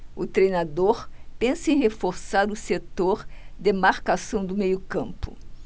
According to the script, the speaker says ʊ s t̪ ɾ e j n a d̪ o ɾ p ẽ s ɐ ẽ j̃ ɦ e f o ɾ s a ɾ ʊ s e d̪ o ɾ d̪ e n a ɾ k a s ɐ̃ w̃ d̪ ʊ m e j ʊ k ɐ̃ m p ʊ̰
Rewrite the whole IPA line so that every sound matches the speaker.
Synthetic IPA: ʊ t̪ ɾ e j n a d̪ o ɾ p ẽ s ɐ ẽ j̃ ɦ e f o ɾ s a ɾ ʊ s e t̪ o ɾ d̪ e m a ɾ k a s ɐ̃ w̃ d̪ ʊ m e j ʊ k ɐ̃ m p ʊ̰